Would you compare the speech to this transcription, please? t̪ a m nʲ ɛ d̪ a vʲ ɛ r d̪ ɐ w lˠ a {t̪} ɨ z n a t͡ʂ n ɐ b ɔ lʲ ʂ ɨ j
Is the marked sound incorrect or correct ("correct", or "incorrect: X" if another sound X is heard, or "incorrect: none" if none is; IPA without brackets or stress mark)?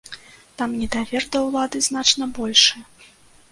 incorrect: d̪